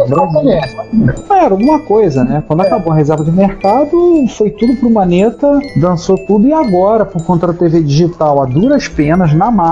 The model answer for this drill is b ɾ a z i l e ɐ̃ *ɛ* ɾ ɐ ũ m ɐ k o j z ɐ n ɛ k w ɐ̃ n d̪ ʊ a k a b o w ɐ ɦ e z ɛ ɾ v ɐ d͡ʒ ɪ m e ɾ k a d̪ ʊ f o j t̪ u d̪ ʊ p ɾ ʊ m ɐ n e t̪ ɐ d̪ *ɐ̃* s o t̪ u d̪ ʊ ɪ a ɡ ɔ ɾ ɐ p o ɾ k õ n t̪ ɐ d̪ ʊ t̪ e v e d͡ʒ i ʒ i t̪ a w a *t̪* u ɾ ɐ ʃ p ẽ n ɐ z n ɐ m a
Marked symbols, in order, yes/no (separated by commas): yes, yes, no